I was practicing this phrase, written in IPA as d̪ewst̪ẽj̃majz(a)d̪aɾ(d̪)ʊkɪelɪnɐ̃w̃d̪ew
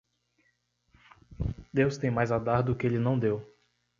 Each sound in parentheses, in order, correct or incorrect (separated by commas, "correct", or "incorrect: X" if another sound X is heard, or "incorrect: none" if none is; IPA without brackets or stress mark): correct, correct